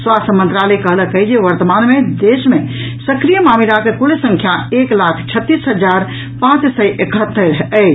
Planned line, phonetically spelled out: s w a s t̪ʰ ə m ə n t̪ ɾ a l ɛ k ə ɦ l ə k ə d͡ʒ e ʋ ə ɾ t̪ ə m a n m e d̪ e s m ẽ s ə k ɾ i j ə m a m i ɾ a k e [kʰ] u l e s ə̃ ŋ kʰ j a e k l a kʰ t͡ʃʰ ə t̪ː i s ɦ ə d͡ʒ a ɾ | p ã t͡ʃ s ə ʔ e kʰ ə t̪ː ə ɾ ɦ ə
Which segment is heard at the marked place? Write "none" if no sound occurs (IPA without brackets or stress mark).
k